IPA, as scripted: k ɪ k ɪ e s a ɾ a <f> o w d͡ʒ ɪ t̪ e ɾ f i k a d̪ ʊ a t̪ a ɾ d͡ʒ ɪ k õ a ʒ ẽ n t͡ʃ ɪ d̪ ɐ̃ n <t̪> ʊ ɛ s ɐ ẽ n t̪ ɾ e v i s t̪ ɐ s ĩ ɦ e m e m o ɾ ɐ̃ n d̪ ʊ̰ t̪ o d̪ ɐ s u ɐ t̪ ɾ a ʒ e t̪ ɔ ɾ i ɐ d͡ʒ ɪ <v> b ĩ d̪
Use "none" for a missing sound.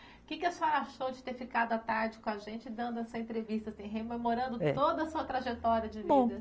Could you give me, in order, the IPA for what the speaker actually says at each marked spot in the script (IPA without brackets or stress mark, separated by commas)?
ʃ, d̪, v